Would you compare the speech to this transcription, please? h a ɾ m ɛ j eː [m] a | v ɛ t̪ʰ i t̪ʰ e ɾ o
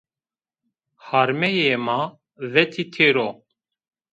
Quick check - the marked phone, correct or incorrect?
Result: correct